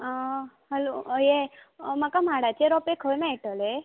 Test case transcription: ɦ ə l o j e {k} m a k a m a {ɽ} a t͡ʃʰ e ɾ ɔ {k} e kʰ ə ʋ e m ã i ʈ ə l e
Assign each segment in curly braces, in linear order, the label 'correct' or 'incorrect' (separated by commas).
incorrect, correct, incorrect